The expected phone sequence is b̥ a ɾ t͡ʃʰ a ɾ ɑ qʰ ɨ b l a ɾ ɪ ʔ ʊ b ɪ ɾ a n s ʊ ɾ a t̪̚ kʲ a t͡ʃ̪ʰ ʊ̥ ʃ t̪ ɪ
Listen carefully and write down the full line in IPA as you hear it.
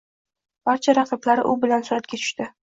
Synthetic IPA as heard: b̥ a ɾ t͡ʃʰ a ɾ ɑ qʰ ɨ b l a ɾ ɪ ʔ ʊ b ɪ l a n s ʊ ɾ a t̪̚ kʲ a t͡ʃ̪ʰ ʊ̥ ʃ t̪ ɪ